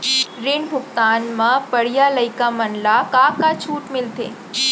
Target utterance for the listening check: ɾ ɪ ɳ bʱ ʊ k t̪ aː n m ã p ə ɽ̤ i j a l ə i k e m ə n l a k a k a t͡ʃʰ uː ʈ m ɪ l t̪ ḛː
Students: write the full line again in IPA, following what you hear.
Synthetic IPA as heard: ɾ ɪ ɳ bʱ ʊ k t̪ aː n m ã p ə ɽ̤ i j a l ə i k a m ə n l a k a k a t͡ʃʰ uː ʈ m ɪ l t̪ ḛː